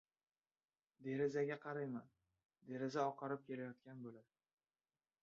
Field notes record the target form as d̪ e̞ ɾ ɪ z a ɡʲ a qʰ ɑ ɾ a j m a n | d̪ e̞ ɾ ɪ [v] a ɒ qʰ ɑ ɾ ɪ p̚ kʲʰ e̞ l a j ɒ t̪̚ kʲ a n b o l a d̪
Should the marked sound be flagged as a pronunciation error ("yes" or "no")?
yes